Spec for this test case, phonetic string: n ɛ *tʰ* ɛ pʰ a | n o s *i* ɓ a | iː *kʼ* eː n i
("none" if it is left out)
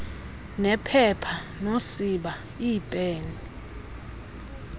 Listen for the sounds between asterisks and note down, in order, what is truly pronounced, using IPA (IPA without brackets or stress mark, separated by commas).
pʰ, i, pʼ